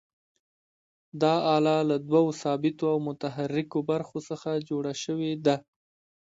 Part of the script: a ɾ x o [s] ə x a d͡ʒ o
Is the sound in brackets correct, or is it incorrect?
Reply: correct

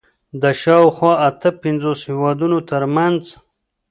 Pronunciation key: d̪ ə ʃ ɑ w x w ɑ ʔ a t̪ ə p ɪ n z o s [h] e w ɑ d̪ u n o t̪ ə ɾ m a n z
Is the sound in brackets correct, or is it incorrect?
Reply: correct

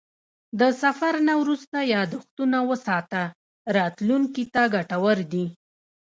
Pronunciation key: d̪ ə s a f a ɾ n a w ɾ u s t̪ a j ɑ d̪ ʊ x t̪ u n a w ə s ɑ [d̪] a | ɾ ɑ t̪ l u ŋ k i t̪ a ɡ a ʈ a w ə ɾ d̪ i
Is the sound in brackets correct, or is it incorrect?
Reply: incorrect: t̪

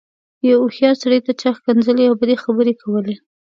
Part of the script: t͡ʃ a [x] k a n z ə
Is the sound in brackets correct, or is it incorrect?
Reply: correct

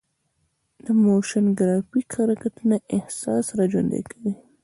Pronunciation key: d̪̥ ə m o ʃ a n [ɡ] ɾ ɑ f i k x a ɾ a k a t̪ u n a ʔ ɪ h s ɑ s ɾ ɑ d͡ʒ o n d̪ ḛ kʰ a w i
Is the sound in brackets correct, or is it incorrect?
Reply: correct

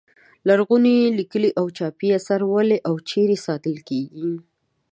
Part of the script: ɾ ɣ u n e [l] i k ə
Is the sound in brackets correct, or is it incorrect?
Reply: correct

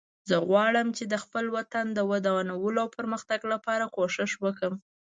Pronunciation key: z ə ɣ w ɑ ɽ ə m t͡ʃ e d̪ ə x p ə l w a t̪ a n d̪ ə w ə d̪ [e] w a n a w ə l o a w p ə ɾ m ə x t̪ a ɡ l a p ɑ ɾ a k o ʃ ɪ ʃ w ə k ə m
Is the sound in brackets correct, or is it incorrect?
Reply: incorrect: a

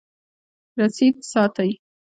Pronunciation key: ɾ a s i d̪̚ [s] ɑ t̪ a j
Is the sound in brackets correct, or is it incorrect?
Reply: correct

